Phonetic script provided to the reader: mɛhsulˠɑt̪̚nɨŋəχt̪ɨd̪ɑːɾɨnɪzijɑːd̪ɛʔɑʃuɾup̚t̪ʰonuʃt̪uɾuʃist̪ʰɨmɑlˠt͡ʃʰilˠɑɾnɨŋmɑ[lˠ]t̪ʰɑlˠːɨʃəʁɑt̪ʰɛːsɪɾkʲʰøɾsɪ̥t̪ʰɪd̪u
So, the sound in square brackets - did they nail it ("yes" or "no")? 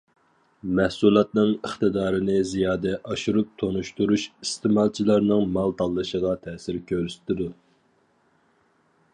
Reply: yes